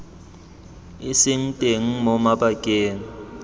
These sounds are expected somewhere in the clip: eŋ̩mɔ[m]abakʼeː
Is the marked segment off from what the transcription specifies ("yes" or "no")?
no